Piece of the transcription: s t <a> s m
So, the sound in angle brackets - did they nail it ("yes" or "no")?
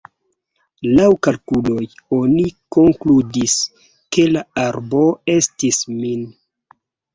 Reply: no